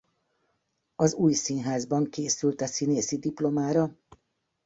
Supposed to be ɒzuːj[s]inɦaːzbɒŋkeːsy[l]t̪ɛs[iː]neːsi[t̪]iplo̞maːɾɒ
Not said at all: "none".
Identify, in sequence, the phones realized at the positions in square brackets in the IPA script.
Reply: s, l, i, d̪

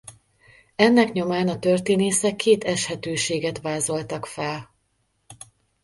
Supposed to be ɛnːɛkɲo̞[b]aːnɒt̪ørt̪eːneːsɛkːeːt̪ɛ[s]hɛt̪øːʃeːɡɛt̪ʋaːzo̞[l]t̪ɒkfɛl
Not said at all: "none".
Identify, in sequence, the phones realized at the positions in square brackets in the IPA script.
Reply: m, ʃ, l

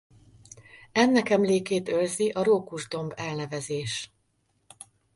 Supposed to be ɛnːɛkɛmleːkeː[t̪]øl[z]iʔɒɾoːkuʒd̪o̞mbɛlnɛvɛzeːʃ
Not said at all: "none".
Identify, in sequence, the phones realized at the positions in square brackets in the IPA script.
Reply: t̪, z

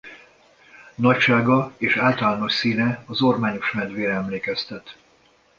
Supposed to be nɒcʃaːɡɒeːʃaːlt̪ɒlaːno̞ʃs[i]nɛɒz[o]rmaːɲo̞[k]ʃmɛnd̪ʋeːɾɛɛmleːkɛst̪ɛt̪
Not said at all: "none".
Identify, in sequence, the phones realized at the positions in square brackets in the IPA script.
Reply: iː, o, none

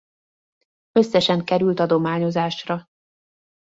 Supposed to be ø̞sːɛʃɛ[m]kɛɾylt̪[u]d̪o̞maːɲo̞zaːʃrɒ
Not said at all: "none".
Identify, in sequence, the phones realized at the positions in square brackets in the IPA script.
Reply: ŋ, ɒ

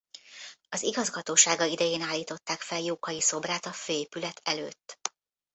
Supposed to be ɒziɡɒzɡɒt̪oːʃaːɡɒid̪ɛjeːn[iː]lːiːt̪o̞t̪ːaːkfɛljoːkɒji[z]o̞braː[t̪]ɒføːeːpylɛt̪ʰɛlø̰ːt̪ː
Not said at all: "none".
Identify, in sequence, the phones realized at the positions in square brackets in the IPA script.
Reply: aː, s, t̪

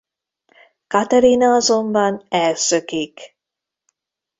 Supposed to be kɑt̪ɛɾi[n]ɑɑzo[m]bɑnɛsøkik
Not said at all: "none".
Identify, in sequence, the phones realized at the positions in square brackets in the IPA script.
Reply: n, m

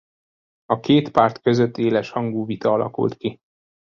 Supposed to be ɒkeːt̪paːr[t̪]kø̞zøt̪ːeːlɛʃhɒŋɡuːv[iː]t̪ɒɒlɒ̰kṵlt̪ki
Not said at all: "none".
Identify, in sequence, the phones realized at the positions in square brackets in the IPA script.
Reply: t̪, i

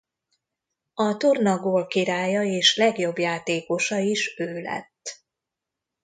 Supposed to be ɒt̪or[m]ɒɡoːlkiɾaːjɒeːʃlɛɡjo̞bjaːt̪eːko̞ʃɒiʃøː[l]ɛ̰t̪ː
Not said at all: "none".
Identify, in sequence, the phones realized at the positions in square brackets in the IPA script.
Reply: n, l

